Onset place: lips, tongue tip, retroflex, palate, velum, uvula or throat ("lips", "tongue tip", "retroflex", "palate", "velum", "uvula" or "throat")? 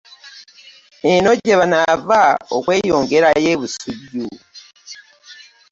tongue tip